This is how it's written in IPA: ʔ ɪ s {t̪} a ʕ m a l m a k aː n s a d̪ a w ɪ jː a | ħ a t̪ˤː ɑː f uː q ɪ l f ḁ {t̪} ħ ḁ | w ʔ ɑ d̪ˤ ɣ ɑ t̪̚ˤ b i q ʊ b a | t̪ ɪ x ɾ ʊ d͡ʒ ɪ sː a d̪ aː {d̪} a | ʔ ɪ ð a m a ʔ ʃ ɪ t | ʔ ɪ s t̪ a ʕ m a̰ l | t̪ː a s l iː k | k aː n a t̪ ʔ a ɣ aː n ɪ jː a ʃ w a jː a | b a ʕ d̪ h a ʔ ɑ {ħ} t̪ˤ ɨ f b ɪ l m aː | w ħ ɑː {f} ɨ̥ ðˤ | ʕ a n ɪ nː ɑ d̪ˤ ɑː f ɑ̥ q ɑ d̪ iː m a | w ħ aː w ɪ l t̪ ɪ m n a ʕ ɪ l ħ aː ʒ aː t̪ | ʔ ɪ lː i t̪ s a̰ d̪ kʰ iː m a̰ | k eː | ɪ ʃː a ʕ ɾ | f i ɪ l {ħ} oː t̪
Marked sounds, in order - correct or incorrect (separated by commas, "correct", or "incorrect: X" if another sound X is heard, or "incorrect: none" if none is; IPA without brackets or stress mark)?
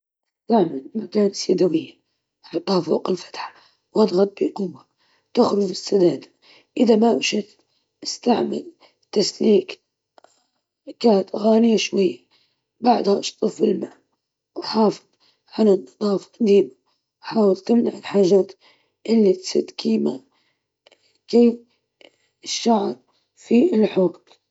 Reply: correct, correct, correct, incorrect: ʃ, correct, correct